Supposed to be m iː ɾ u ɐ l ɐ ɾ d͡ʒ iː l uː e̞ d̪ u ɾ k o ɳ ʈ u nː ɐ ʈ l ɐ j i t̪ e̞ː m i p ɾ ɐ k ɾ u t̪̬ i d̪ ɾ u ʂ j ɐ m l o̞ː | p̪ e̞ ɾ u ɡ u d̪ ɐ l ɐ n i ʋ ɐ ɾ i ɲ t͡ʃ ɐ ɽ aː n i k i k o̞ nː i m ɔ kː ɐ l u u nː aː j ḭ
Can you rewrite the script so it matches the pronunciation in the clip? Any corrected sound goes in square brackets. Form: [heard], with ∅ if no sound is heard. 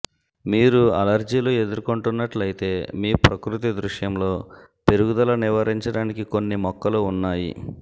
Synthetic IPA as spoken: m iː ɾ u ɐ l ɐ ɾ d͡ʒ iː l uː e̞ d̪ u ɾ k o ɳ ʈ u nː ɐ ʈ l ɐ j i t̪ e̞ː m [iː] p ɾ ɐ k ɾ u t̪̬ i d̪ ɾ u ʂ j ɐ m l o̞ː | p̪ e̞ ɾ u ɡ u d̪ ɐ l ɐ n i ʋ ɐ ɾ i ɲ t͡ʃ ɐ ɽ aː n i k i k o̞ nː i m ɔ kː ɐ l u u nː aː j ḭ